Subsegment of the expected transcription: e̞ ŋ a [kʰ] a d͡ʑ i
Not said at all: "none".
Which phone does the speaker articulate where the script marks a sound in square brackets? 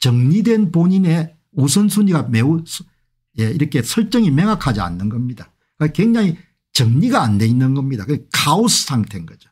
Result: kʰ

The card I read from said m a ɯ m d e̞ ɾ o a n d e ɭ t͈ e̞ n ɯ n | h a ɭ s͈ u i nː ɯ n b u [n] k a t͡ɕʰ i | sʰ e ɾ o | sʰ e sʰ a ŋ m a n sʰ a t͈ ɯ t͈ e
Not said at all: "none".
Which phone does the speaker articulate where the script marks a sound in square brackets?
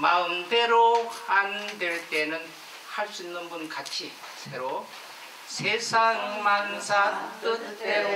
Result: n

